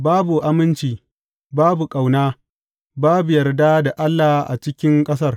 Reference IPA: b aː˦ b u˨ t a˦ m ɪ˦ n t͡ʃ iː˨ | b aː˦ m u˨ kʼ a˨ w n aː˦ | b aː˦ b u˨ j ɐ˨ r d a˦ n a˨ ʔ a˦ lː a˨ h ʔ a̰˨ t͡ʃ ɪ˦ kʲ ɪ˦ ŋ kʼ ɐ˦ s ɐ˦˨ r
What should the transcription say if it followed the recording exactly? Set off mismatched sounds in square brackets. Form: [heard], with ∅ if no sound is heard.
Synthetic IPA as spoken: b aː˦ b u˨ [ʔ] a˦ m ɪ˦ n t͡ʃ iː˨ | b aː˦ [b] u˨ kʼ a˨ w n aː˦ | b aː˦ b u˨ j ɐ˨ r d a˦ [d] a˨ ʔ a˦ lː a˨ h ʔ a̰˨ t͡ʃ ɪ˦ kʲ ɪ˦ ŋ kʼ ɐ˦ s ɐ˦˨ r